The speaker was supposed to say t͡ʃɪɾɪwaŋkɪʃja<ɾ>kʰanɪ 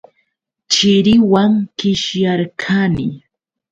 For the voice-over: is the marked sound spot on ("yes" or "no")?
yes